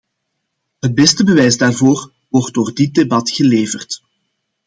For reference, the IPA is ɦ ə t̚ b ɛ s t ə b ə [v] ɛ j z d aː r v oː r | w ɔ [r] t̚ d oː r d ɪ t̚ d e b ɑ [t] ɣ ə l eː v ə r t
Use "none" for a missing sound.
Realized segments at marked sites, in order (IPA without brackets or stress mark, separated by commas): ʋ, r, t